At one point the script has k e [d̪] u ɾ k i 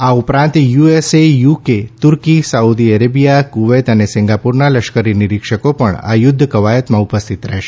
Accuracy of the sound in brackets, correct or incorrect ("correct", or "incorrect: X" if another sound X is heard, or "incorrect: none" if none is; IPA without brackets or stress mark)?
incorrect: t̪